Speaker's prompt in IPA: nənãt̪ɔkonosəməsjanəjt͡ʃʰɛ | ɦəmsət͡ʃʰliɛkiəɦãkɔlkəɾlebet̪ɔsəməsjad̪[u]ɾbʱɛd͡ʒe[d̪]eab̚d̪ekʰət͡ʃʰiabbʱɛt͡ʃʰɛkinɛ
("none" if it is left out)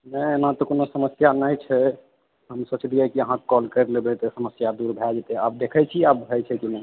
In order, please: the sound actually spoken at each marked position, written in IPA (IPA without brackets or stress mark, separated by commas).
u, t̪